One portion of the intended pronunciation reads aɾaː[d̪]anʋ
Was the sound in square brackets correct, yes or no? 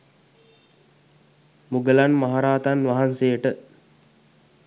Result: no